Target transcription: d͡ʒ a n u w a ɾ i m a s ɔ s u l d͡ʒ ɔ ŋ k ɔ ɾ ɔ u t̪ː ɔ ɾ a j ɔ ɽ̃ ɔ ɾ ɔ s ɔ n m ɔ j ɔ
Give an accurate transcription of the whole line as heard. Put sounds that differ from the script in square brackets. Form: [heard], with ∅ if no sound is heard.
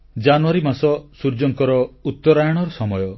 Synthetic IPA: d͡ʒ a n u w a ɾ i m a s ɔ s u [ɾ] d͡ʒ ɔ ŋ k ɔ ɾ ɔ u t̪ː ɔ ɾ a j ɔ ɽ̃ ɔ ɾ ɔ s ɔ [∅] m ɔ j ɔ